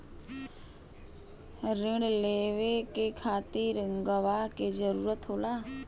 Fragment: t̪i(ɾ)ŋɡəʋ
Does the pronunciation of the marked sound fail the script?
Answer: no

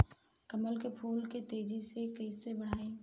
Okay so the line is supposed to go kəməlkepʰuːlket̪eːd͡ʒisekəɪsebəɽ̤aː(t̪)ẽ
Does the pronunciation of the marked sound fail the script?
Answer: yes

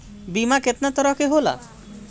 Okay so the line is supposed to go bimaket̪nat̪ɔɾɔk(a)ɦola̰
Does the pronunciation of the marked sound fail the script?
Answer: yes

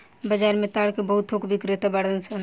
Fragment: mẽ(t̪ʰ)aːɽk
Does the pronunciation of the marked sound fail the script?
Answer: yes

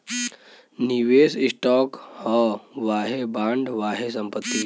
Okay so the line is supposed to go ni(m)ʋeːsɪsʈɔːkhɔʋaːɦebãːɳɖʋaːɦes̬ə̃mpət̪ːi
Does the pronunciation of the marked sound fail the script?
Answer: yes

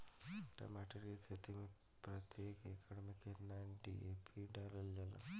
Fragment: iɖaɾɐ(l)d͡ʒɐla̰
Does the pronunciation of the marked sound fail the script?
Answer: no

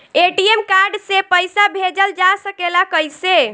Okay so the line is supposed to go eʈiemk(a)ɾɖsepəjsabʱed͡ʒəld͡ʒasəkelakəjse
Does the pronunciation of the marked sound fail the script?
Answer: no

